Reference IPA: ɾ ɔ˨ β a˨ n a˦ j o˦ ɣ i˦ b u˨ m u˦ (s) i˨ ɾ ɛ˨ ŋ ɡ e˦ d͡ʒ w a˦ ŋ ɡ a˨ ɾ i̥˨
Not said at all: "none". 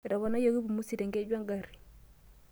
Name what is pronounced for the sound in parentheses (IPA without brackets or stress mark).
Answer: s